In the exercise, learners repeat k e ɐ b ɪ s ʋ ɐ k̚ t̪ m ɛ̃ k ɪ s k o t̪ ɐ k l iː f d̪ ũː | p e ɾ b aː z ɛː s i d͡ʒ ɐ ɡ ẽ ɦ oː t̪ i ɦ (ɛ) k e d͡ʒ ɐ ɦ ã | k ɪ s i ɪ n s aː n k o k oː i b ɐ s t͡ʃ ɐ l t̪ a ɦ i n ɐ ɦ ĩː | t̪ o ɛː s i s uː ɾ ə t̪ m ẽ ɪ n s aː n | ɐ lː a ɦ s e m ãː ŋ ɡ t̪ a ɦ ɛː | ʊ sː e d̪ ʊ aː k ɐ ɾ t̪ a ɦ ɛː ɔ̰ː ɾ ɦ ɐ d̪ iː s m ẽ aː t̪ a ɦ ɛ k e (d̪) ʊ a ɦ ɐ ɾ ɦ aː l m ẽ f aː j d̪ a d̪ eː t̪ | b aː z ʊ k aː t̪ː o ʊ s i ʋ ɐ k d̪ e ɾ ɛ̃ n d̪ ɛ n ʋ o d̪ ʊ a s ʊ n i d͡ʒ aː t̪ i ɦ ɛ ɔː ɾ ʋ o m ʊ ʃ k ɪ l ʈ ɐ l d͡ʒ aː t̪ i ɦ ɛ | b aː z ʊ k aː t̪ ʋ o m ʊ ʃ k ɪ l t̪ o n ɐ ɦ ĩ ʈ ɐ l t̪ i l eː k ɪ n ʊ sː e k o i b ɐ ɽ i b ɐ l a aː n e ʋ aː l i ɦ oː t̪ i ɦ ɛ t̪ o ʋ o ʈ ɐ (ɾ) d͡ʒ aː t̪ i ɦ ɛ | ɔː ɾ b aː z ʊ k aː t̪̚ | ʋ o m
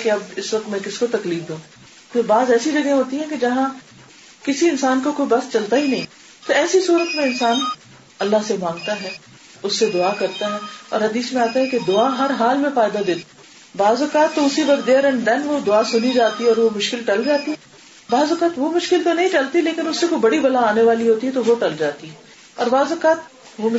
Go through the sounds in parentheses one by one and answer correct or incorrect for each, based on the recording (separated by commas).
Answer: incorrect, correct, incorrect